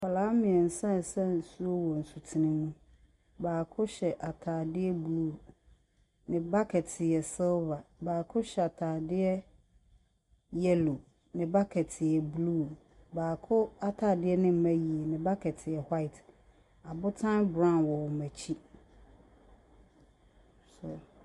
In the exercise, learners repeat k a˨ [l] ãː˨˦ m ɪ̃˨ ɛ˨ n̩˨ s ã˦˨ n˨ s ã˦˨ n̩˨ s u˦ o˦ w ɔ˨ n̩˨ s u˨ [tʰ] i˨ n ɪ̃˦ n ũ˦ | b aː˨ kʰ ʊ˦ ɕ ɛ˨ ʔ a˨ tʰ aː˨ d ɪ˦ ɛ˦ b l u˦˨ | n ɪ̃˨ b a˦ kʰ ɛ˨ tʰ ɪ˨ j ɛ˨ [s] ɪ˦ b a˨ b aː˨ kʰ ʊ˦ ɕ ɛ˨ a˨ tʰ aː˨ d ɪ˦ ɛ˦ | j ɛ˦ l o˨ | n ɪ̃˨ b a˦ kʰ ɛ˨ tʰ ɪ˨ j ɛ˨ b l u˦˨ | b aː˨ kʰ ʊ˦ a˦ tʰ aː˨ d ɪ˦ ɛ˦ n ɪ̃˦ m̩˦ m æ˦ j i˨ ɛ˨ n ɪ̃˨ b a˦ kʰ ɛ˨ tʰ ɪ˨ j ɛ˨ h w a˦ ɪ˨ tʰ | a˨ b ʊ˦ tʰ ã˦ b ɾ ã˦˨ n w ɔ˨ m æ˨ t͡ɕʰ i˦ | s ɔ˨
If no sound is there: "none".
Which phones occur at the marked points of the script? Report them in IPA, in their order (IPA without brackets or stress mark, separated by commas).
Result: l, tʰ, s